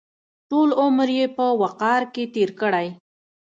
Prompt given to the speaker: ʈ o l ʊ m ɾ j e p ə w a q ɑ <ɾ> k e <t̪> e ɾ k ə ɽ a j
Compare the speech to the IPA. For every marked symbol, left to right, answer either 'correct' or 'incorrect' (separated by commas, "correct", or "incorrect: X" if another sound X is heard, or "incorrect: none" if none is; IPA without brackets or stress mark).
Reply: correct, correct